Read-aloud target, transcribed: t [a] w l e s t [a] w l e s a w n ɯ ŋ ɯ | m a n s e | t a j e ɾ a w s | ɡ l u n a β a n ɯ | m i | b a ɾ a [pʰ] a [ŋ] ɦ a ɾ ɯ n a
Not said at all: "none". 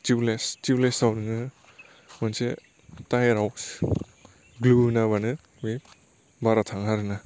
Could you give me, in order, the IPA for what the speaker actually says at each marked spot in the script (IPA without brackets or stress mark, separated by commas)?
i, i, tʰ, ŋ